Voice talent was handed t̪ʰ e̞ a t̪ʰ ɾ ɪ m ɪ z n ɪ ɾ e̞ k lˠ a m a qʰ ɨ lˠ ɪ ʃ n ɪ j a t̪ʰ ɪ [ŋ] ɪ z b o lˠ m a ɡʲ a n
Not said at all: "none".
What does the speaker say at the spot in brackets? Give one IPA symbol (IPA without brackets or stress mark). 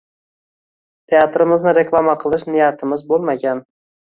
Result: m